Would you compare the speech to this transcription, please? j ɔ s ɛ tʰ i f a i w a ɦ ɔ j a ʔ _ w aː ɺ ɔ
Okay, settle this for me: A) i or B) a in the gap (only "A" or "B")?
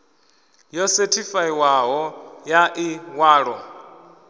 A